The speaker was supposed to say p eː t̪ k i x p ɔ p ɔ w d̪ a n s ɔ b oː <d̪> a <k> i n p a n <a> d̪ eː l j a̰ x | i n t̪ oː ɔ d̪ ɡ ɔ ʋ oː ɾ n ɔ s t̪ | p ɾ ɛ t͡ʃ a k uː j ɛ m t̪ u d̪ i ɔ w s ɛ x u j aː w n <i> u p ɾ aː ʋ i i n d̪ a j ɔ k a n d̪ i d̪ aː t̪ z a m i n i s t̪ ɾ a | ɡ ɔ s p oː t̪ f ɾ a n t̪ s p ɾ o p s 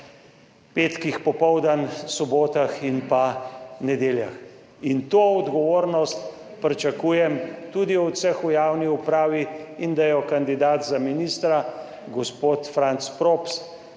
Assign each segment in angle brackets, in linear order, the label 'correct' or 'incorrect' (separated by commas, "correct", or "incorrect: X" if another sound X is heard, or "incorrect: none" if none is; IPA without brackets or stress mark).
incorrect: t̪, incorrect: x, incorrect: ɛ, correct